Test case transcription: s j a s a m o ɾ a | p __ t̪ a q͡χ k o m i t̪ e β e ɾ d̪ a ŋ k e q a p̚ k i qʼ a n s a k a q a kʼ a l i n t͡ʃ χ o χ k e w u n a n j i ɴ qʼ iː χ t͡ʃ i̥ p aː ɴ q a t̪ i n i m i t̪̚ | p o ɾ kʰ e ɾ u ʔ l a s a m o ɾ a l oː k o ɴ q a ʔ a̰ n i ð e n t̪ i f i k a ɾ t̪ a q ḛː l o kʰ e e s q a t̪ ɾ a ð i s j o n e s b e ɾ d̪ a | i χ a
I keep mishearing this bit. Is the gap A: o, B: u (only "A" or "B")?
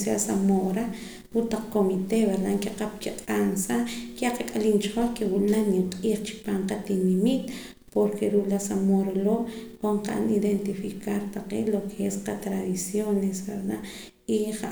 B